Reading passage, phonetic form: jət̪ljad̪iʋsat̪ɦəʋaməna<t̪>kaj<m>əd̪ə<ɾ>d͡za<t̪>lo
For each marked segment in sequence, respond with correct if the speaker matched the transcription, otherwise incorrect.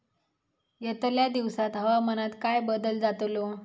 correct, incorrect: b, incorrect: l, correct

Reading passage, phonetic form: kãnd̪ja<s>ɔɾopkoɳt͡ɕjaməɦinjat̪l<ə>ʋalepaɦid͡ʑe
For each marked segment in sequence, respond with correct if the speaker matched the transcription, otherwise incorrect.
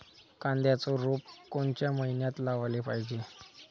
incorrect: t͡s, incorrect: a

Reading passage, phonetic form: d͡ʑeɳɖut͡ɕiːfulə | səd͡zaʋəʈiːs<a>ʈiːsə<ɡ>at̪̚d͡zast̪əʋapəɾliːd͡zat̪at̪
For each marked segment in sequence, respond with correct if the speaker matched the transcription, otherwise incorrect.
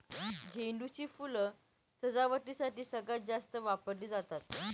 correct, correct

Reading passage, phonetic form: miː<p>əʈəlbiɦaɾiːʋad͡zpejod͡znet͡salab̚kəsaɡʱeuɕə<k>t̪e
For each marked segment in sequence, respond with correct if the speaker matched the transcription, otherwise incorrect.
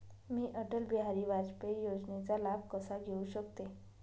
incorrect: ʔ, correct

